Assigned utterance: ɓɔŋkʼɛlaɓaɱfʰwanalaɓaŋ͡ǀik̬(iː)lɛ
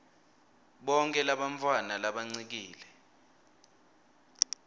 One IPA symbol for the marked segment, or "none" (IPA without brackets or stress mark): iː